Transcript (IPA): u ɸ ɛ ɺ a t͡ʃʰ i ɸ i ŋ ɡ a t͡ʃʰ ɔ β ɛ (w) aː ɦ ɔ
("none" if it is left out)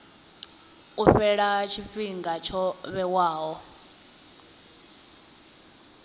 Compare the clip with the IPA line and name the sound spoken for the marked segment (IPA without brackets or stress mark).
w